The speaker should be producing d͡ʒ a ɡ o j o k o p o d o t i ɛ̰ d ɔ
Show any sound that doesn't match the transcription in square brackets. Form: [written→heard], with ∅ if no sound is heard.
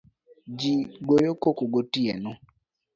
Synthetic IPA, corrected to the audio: d͡ʒ [a→i] ɡ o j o k o [p→k] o [d→ɡ] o t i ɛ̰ [d→n] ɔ